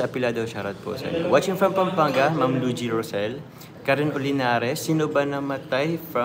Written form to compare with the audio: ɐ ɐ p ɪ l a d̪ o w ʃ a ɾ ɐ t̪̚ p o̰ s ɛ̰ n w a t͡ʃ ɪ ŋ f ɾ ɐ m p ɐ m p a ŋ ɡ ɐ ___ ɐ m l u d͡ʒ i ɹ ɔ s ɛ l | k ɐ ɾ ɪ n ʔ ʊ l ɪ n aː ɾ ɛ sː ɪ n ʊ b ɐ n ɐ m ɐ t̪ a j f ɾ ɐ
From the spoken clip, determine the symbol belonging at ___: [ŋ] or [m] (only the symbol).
m